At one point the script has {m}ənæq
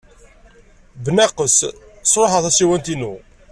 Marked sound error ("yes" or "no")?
yes